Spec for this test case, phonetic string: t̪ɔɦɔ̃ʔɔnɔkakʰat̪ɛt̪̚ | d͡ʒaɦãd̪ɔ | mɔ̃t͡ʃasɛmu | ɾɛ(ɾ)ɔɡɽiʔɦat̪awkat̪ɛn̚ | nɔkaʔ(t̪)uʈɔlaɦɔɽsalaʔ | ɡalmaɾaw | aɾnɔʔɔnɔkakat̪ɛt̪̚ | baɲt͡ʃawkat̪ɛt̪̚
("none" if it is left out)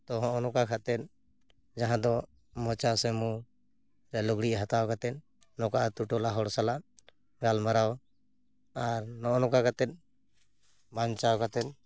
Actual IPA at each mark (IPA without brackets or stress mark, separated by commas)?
l, t̪